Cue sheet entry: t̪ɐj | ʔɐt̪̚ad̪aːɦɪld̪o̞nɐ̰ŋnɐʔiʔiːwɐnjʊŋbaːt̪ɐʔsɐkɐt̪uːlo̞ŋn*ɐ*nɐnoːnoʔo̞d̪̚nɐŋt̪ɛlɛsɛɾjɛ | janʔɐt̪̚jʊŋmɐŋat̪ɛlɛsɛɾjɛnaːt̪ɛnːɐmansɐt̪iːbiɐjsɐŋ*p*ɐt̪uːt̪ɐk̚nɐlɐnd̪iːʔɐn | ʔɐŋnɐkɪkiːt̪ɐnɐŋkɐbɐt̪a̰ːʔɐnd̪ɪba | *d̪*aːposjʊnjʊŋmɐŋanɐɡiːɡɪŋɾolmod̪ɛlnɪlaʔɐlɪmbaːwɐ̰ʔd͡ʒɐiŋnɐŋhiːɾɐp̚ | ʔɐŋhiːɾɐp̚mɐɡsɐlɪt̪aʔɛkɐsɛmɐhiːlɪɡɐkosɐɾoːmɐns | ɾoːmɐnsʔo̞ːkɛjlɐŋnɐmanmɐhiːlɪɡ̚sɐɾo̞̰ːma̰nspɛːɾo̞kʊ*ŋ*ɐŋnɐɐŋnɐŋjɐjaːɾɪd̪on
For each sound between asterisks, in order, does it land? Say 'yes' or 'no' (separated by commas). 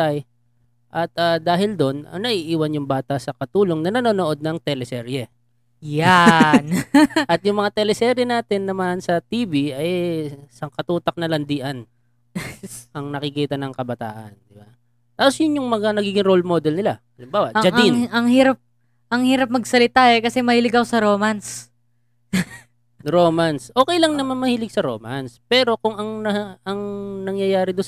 yes, no, no, yes